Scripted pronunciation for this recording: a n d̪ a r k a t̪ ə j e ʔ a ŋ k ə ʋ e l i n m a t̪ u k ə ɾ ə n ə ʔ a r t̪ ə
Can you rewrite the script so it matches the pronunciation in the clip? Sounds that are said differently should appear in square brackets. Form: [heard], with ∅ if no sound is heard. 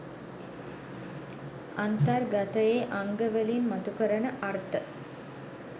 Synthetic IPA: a n [t̪] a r [ɡ] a t̪ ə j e ʔ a ŋ [ɡ] ə ʋ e l i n m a t̪ u k ə ɾ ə n ə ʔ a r t̪ ə